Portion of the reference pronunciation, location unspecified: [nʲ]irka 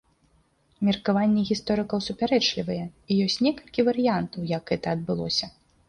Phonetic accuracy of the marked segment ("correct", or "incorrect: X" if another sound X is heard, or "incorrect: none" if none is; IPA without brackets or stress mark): incorrect: mʲ